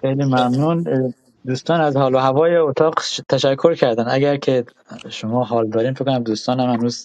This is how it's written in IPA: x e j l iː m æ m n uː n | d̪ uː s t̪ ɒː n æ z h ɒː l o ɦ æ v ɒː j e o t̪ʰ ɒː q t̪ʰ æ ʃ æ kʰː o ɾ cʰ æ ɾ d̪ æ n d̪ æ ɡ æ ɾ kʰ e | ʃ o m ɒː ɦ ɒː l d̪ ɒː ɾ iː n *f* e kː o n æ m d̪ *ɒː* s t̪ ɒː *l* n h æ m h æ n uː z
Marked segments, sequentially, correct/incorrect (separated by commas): correct, incorrect, incorrect